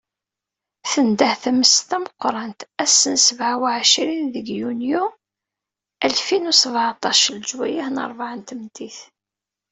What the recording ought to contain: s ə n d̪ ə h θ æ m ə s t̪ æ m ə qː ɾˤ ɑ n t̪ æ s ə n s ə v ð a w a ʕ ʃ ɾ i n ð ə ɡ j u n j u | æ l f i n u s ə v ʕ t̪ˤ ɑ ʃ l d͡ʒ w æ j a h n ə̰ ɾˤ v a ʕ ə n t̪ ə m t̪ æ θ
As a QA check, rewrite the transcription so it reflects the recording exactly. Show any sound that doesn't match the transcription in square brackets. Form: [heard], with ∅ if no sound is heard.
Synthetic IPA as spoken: [θ] ə n d̪ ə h θ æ m ə s t̪ æ m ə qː ɾˤ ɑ n t̪ æ s ə n s ə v [ʕ] a w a ʕ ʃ ɾ i n ð ə ɡ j u n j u | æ l f i n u s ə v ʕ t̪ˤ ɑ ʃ l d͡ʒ w æ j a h n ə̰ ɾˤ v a ʕ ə n t̪ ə m t̪ [i] θ